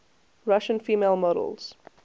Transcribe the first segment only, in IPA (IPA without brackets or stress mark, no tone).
ɹ